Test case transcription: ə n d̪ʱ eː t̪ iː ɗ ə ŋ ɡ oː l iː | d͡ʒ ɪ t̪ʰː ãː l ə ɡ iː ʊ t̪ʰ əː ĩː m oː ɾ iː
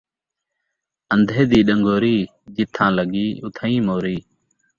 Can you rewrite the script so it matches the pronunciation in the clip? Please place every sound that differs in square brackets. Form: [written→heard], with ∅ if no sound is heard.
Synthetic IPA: ə n d̪ʱ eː [t̪→d̪] iː ɗ ə ŋ ɡ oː [l→ɾ] iː | d͡ʒ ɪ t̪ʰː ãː l ə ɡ iː ʊ t̪ʰ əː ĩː m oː ɾ iː